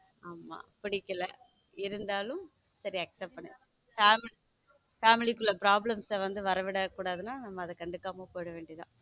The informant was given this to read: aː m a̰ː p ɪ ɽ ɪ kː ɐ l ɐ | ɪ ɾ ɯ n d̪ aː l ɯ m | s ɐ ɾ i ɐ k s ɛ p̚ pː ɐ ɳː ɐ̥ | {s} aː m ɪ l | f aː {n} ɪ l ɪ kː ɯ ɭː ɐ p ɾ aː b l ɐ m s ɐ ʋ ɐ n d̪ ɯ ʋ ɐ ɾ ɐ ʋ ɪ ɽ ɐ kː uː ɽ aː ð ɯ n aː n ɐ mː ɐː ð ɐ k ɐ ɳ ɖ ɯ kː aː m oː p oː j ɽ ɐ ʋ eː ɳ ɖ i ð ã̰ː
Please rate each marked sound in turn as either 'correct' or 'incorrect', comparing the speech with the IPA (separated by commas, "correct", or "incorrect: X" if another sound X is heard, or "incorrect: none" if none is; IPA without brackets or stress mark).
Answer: incorrect: f, incorrect: m